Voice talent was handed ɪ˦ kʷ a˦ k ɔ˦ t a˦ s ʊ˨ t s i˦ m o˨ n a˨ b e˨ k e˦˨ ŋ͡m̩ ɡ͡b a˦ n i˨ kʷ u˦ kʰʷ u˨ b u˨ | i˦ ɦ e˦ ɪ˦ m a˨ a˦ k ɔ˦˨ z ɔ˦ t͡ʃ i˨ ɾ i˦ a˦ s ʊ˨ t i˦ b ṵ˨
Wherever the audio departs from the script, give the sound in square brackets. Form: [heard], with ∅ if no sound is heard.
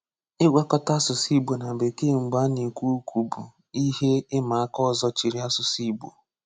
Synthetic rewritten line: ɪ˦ [ɡʷ] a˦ k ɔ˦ t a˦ s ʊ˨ [∅] s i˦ [b] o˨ n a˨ b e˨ k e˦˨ ŋ͡m̩ ɡ͡b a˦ n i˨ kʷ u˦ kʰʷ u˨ b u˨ | i˦ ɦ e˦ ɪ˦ m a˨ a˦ k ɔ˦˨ z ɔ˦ t͡ʃ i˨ ɾ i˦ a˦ s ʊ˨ [s] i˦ b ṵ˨